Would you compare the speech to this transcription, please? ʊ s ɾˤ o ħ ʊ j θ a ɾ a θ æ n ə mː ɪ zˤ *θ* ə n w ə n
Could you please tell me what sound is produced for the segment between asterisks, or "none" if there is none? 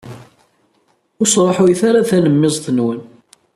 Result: θ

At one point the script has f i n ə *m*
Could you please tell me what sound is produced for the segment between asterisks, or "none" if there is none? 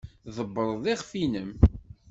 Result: m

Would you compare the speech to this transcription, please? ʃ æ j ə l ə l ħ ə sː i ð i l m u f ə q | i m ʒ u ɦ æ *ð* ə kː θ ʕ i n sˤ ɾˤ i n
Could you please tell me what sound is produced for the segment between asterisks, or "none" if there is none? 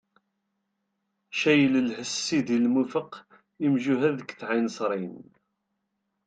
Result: ð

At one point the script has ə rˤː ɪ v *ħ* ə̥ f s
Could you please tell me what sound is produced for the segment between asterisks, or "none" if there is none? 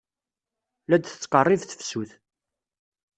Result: θ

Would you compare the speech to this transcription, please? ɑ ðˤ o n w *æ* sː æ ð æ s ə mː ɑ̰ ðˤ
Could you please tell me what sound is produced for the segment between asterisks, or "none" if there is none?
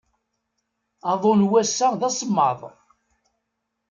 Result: æ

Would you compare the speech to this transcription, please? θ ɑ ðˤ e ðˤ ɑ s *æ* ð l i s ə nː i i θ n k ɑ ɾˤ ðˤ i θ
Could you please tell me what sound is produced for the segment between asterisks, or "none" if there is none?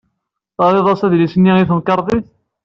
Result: æ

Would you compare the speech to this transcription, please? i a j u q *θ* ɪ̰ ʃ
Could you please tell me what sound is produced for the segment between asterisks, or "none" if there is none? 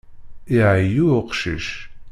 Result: ʃ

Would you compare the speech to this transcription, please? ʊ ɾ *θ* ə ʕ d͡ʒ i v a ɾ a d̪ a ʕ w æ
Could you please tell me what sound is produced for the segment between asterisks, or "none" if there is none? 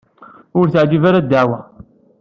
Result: θ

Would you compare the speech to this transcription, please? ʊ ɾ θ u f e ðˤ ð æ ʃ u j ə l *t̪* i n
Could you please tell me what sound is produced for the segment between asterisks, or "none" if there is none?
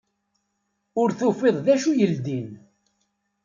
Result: d̪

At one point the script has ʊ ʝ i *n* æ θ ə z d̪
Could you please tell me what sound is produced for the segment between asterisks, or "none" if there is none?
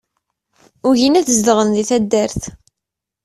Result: n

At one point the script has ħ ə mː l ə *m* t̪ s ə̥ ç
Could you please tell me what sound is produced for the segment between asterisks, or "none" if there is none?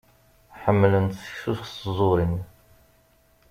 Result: n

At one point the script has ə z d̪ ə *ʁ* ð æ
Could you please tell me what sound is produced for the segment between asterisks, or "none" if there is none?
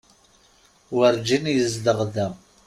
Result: ʁ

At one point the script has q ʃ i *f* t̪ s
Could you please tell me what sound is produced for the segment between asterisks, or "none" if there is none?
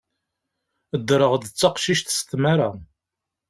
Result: ʃ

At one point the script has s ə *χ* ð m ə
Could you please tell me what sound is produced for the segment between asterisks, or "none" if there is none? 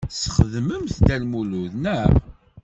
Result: χ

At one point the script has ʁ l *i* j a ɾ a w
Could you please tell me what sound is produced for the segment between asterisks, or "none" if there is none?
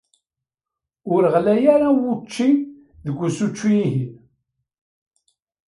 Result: æ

